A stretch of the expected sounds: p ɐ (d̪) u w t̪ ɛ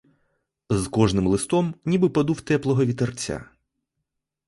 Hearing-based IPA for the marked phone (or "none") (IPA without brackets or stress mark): d̪